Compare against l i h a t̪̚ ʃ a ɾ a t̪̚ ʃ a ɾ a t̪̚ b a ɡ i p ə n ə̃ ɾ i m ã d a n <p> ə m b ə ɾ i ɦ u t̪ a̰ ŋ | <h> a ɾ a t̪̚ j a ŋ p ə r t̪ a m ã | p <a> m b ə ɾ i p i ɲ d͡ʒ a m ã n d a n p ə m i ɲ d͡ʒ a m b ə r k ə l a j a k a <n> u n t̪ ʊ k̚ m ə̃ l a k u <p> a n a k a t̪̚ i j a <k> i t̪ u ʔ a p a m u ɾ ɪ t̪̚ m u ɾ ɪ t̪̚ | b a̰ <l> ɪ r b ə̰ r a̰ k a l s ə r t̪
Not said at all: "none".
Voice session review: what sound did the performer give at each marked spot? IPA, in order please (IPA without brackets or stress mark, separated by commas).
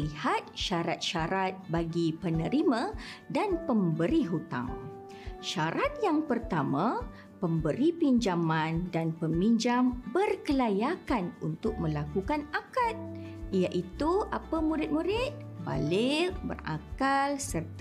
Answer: p, ʃ, ə, n, k, ʔ, l